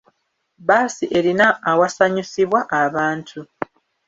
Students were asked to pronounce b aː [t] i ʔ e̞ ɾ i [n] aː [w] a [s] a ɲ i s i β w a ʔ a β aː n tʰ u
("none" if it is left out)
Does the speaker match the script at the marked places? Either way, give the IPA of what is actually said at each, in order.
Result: s, n, w, s

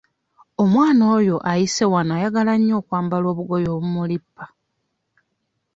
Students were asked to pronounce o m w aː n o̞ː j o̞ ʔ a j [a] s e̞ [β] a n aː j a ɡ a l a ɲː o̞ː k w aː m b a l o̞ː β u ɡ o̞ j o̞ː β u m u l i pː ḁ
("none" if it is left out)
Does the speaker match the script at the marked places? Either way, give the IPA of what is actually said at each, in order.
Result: i, w

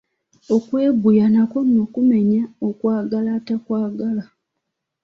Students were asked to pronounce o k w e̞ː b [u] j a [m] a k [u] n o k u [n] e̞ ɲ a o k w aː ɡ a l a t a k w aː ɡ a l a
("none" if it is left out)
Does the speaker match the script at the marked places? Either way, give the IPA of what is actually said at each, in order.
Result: u, n, o, m

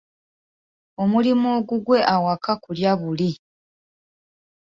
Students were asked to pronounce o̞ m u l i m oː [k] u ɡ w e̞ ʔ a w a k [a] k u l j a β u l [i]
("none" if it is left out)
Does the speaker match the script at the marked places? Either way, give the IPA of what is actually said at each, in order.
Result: ɡ, a, i

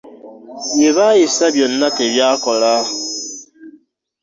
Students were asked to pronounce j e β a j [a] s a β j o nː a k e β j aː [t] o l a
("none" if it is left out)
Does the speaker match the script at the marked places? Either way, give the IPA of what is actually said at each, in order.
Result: i, k

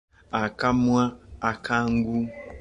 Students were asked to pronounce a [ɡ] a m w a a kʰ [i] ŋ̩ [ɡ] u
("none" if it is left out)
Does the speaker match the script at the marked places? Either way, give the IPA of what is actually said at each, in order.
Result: k, a, ɡ

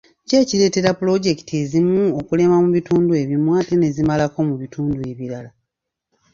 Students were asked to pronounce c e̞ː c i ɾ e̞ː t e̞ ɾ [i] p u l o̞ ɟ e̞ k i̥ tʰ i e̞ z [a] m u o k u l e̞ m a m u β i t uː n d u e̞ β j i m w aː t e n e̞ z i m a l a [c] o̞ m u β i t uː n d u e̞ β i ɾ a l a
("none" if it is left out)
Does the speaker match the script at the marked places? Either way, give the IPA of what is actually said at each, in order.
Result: a, i, k

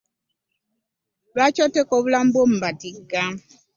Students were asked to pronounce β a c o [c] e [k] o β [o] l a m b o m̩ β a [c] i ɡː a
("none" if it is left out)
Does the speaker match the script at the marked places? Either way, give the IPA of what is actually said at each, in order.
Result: t, k, u, t

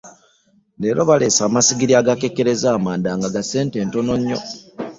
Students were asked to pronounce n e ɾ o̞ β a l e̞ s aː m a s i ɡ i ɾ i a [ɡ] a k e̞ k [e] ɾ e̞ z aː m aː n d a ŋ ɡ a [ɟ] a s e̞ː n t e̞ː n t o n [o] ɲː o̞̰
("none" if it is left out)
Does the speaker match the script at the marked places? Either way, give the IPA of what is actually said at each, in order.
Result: ɡ, e, ɡ, o

